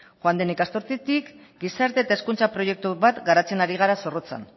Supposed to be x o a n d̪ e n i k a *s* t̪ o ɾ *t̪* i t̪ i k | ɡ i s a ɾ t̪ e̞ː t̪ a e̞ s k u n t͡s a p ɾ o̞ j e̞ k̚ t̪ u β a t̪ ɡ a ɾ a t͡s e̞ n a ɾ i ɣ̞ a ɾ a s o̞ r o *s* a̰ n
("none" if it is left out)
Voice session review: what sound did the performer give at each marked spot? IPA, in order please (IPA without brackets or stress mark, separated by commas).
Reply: s, t̪, t͡s